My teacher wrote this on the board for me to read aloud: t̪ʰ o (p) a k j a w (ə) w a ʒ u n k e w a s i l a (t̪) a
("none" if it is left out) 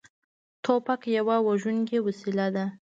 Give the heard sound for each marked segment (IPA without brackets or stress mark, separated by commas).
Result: p, a, d̪